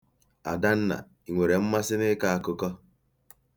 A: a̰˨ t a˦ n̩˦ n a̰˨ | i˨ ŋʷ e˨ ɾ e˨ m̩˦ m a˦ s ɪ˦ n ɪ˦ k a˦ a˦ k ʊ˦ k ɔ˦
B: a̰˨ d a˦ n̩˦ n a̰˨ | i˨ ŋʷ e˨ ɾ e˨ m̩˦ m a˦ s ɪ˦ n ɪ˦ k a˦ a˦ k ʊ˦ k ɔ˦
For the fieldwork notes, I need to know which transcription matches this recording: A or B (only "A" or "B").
B